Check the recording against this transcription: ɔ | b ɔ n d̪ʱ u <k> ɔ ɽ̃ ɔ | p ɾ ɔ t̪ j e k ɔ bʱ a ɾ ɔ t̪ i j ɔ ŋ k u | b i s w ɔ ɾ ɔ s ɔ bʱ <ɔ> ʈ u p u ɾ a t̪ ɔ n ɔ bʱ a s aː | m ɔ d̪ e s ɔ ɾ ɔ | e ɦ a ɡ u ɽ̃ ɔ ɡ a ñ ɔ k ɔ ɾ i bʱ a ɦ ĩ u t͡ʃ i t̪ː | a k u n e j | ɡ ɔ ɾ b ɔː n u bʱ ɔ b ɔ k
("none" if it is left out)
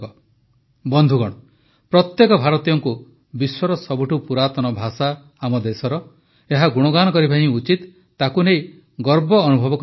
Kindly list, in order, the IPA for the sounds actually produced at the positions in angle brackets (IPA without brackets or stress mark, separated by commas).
ɡ, u